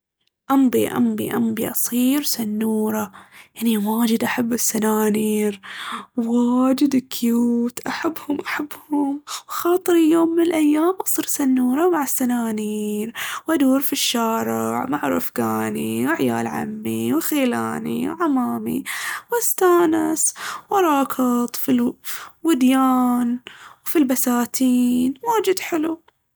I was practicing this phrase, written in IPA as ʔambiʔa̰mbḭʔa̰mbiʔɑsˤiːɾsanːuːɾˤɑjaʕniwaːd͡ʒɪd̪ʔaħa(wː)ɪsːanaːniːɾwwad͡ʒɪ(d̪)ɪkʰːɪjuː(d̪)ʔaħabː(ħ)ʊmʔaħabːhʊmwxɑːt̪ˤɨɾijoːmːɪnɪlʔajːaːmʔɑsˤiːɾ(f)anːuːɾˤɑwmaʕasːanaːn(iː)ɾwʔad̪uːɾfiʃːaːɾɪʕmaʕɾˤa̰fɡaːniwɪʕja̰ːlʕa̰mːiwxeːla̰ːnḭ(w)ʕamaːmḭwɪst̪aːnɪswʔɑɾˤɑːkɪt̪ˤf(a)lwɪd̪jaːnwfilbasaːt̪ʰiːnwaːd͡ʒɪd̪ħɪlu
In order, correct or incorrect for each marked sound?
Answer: incorrect, correct, incorrect, incorrect, incorrect, correct, correct, incorrect

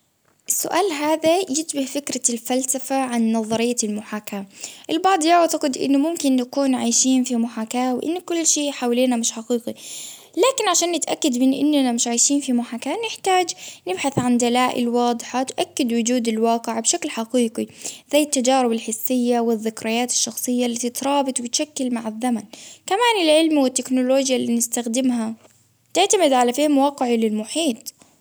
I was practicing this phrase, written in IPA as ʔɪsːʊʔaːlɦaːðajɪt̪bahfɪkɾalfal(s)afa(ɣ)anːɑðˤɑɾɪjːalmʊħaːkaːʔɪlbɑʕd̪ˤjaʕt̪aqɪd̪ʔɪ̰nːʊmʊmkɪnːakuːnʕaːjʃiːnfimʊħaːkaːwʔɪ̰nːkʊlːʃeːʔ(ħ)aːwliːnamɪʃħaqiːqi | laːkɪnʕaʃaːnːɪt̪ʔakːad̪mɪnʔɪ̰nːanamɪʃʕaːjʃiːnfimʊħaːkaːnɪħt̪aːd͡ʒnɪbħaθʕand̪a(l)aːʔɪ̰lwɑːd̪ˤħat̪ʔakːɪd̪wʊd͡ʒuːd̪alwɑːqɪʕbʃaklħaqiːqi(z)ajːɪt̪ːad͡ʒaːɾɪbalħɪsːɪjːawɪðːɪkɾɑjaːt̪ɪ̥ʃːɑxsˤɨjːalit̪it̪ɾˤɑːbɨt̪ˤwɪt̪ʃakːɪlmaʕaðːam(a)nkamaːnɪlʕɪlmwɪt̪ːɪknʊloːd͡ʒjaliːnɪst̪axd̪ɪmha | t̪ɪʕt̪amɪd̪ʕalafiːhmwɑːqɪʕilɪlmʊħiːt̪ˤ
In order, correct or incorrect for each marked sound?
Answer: correct, incorrect, correct, correct, correct, correct

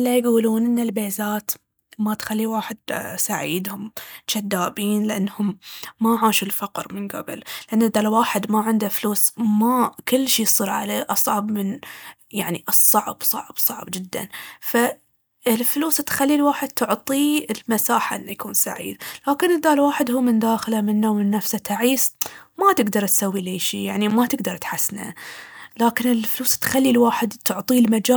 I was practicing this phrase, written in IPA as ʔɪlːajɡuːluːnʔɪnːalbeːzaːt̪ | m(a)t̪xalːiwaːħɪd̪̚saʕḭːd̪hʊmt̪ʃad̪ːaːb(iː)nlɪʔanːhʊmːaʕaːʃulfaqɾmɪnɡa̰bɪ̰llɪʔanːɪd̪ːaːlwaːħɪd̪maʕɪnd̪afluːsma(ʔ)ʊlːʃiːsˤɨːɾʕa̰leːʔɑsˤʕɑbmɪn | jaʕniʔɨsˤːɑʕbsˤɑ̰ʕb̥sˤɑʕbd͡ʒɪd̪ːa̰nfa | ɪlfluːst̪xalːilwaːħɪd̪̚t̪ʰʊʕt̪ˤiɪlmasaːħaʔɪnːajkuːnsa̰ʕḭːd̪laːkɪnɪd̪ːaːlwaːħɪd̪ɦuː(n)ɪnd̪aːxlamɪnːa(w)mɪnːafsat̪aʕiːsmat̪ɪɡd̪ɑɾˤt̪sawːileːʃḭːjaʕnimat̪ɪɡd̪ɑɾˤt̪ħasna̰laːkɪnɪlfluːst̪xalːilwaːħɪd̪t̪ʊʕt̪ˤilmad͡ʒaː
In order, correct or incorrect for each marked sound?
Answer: correct, correct, incorrect, incorrect, correct

